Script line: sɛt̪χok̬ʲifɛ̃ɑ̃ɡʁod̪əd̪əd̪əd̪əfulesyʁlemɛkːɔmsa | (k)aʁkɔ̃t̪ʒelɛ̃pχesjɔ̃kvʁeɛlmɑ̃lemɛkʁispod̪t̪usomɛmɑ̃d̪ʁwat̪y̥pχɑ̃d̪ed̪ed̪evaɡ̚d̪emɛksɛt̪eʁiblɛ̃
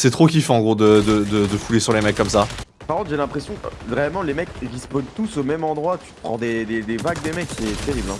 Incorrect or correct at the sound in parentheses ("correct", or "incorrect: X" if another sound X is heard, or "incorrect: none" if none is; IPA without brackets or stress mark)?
incorrect: p